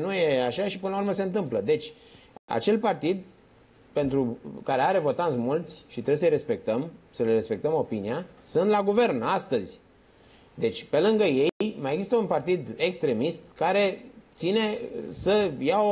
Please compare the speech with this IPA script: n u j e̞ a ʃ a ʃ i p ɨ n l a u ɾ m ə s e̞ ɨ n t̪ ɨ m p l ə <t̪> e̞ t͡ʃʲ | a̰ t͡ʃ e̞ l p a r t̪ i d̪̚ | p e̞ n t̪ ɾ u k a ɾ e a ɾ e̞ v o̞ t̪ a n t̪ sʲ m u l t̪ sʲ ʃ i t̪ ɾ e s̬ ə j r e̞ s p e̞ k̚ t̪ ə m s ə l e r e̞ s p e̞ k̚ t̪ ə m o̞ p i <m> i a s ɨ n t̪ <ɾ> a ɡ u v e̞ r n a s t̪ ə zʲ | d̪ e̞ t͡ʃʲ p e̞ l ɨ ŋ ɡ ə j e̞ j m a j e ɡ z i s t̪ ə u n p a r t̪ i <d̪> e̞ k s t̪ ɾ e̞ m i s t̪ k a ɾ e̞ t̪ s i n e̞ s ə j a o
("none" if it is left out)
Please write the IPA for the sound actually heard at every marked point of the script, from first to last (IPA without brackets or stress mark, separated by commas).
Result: d̪, n, l, d̪